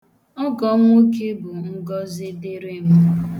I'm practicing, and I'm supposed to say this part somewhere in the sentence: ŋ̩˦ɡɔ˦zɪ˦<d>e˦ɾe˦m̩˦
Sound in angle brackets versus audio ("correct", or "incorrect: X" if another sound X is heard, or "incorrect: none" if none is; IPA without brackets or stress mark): correct